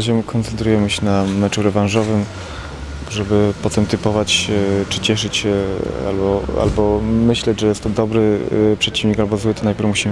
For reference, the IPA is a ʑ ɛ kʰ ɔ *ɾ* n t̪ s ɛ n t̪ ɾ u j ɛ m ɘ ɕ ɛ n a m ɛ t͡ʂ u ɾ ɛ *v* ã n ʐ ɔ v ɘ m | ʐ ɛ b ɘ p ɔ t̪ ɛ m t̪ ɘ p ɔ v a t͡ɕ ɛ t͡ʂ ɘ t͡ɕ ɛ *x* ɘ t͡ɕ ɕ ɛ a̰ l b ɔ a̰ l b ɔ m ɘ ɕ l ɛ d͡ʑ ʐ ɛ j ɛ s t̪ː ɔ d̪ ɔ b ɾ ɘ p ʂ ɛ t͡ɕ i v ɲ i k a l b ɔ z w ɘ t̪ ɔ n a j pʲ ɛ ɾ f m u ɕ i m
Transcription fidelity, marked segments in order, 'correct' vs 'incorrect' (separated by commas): incorrect, correct, incorrect